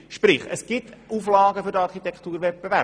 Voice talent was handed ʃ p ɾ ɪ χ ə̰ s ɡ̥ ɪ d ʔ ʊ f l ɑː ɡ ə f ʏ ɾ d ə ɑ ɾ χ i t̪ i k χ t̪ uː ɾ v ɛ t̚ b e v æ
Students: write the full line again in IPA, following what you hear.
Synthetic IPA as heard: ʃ p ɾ ɪ χ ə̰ s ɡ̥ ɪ t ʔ u f l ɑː ɡ ə f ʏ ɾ d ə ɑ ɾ χ i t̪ ɛ k χ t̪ uː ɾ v ɛ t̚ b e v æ